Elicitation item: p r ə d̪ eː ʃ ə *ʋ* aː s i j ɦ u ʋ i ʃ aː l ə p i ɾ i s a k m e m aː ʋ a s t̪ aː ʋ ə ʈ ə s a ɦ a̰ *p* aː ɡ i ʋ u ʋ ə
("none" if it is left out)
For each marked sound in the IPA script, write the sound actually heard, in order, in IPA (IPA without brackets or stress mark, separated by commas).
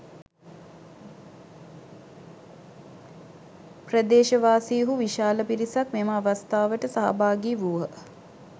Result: ʋ, b